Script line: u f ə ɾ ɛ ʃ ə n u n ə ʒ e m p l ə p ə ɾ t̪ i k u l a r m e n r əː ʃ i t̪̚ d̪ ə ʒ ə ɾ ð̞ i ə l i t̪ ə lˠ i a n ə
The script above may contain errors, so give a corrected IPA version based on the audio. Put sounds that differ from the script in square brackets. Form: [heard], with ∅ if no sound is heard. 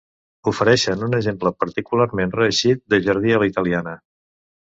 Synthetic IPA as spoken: u f ə ɾ ɛ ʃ ə n u n ə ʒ e m p l ə p ə ɾ t̪ i k u l a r m e n r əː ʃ i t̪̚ d̪ ə ʒ ə ɾ ð̞ i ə l i t̪ ə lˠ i a n ə